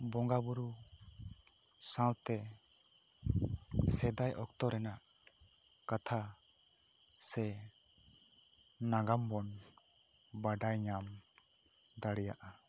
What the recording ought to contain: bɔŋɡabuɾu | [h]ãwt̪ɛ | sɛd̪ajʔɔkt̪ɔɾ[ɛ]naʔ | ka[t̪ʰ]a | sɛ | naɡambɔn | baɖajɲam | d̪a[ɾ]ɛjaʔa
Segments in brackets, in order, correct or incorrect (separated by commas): incorrect, correct, correct, incorrect